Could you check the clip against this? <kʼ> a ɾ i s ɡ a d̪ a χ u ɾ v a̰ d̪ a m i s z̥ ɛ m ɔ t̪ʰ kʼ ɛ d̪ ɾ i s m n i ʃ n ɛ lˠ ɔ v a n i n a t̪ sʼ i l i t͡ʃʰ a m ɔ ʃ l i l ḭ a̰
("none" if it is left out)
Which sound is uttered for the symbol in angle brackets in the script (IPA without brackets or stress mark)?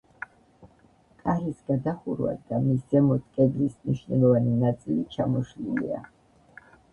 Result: kʼ